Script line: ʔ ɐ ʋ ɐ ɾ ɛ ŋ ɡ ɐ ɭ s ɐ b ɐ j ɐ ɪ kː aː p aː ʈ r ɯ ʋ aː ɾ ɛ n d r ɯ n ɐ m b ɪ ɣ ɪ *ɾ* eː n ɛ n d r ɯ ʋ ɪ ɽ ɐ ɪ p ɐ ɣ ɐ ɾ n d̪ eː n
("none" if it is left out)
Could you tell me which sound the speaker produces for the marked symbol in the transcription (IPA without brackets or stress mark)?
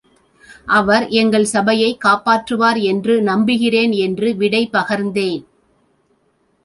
r